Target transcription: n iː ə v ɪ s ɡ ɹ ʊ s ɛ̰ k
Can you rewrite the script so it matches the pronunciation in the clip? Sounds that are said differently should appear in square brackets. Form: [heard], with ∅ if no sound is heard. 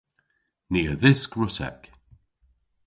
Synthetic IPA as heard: n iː ə [ð] ɪ s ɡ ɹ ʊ s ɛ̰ k